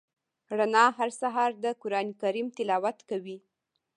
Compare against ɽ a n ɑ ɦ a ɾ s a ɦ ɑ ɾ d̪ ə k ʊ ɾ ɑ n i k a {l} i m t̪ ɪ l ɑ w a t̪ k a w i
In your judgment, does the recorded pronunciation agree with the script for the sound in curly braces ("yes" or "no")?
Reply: no